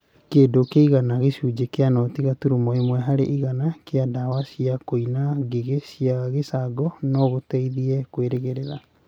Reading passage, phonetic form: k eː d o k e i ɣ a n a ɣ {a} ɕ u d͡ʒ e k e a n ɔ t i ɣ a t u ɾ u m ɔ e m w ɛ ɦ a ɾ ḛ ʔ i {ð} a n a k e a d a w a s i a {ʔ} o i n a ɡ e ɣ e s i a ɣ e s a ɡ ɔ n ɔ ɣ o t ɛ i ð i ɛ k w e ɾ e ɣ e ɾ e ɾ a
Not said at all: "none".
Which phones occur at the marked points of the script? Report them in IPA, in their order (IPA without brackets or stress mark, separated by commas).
e, ɣ, k